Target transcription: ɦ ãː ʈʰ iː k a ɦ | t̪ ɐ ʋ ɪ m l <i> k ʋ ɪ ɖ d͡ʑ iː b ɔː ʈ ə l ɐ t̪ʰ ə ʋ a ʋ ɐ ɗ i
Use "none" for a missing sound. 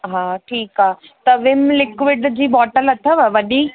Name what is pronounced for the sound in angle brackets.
ɪ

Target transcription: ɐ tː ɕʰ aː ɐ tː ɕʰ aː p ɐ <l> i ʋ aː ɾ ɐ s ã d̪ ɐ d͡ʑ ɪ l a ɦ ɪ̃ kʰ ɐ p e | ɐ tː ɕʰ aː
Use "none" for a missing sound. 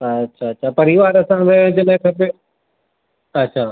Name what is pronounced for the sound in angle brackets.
ɾ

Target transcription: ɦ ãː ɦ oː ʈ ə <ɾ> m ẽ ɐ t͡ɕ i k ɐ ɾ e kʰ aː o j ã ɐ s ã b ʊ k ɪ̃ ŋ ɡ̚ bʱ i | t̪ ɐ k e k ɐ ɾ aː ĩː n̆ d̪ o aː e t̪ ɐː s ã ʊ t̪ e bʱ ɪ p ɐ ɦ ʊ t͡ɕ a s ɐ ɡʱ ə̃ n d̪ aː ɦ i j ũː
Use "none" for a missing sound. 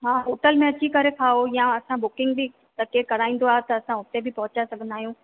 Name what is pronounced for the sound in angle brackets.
l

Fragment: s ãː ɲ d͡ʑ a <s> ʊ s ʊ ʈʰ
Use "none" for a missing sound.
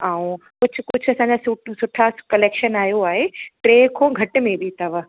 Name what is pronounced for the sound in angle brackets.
s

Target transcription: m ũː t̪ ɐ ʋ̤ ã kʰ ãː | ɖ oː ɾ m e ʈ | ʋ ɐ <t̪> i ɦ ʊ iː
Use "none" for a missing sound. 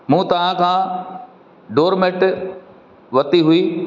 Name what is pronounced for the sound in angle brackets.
t̪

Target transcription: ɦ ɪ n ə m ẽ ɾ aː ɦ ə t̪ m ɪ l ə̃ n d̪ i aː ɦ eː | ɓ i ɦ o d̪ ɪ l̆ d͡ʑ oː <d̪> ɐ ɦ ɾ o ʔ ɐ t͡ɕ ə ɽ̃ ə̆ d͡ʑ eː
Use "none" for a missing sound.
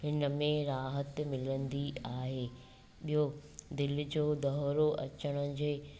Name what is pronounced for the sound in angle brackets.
d̪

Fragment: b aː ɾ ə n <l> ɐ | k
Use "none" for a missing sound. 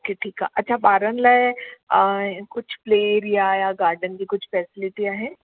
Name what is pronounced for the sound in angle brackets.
l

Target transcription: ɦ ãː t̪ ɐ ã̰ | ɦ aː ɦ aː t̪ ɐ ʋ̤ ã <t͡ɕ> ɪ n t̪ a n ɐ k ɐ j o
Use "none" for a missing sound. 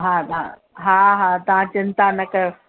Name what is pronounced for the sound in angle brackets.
t͡ɕ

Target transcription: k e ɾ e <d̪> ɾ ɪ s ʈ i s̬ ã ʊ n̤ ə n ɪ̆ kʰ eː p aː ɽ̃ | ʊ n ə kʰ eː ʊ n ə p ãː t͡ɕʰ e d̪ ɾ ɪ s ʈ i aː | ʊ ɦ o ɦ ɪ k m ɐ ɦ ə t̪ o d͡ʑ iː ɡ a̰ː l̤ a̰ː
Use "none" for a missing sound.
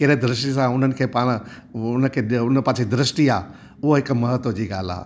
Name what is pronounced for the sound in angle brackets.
d̪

